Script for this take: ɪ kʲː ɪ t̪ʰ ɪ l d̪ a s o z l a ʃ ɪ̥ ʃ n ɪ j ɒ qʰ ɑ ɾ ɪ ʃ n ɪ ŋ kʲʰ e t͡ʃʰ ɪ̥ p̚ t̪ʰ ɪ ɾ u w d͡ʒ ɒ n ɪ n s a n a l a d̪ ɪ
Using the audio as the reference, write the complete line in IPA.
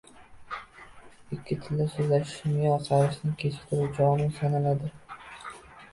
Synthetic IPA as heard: ɪ kʲː ɪ t̪ʰ ɪ l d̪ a s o z l a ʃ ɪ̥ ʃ m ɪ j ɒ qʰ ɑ ɾ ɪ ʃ n ɪ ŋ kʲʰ e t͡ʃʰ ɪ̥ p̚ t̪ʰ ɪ ɾ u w d͡ʒ ɒ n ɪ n s a n a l a d̪ ɪ